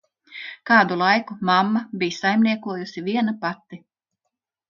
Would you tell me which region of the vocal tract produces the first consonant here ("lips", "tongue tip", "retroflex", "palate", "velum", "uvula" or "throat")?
velum